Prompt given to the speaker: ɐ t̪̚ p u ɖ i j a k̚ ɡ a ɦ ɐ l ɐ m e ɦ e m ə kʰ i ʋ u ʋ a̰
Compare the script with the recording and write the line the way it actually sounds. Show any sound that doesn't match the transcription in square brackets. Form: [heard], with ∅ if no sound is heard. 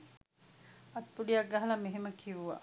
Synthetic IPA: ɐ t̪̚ p u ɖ i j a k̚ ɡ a ɦ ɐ l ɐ m e ɦ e m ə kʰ i ʋ u ʋ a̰

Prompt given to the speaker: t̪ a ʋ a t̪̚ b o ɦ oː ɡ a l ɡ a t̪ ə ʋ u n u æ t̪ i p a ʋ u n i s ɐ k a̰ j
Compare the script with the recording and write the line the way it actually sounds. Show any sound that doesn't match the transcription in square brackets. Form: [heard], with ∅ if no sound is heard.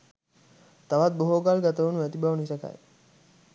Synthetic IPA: t̪ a ʋ a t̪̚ b o ɦ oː ɡ a l ɡ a t̪ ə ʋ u n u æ t̪ i [b] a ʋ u n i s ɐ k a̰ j

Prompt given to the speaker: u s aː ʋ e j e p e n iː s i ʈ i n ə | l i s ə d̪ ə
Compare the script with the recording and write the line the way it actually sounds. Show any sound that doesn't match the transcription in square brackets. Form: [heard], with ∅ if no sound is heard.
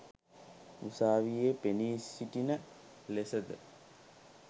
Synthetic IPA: u s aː ʋ [i] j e p e n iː s i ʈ i n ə | l [e] s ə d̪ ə

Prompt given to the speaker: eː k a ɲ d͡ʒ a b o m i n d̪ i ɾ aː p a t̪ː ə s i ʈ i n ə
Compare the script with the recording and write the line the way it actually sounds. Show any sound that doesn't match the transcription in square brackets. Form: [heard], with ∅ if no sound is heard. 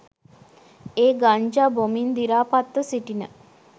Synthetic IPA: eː [ɡ] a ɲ d͡ʒ a b o m i n d̪ i ɾ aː p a t̪ː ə s i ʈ i n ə

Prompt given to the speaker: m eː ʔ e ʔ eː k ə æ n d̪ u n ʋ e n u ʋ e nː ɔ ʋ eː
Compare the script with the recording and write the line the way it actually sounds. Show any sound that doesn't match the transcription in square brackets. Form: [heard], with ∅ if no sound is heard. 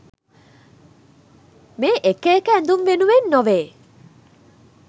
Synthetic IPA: m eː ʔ e [k] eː k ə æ n d̪ u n ʋ e n u ʋ e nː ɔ ʋ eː

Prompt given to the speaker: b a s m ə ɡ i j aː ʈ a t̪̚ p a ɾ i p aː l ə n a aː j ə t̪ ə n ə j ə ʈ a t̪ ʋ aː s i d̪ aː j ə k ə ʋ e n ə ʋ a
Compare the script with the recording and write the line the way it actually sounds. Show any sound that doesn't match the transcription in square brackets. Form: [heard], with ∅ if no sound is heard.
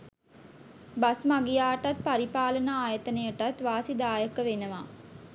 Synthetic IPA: b a s m [a] ɡ i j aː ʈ a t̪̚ p a ɾ i p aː l ə n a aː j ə t̪ ə n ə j ə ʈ a t̪ ʋ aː s i d̪ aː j ə k ə ʋ e n ə ʋ a

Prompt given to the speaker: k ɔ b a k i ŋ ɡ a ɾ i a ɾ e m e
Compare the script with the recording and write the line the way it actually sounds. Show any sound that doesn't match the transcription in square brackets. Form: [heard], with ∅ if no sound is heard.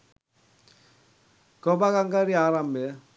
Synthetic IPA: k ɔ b a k [a] ŋ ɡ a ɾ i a ɾ [a] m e

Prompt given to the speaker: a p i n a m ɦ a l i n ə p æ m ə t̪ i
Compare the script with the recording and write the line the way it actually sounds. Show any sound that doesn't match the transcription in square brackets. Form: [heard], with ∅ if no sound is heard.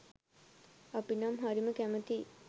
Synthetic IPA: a p i n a m ɦ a [ɾ] i [m] ə [k] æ m ə t̪ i

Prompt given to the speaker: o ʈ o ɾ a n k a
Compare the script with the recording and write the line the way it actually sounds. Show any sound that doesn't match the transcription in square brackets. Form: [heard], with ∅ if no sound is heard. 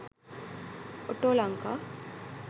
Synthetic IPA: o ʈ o [l] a [ŋ] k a

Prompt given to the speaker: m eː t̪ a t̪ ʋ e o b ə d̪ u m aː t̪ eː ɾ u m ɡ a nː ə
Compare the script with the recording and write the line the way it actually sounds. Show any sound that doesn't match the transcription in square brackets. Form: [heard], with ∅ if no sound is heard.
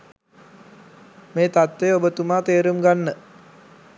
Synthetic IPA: m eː t̪ a t̪ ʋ e o b ə [t̪] u m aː t̪ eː ɾ u m ɡ a nː ə

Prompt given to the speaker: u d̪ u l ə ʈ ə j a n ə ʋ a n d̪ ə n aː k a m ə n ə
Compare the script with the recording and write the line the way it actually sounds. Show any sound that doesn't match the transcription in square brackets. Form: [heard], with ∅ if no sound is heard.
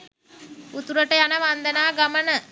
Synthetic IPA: u [t̪] u [ɾ] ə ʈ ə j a n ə ʋ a n d̪ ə n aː [ɡ] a m ə n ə

